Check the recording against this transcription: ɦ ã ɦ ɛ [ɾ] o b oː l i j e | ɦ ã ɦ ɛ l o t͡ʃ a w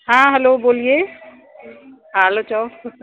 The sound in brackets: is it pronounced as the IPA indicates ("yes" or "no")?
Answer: no